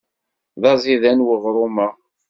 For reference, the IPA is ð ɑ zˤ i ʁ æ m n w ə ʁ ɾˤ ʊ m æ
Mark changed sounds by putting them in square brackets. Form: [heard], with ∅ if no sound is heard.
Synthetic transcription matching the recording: ð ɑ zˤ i [ð] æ [∅] n w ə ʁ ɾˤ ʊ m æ